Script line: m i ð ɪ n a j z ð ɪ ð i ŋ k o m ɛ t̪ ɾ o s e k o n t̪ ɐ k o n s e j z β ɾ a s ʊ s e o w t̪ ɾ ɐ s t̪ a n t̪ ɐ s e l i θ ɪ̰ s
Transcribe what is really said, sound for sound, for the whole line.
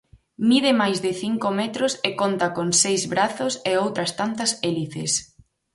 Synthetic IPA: m i ð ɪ m a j z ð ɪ θ i ŋ k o m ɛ t̪ ɾ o s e k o n t̪ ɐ k o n s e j z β ɾ a θ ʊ s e o w t̪ ɾ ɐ s t̪ a n t̪ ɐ s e l i θ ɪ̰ s